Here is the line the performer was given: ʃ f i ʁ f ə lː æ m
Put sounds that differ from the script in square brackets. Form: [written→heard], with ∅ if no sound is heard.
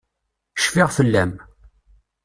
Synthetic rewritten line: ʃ f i ʁ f ə lː æ m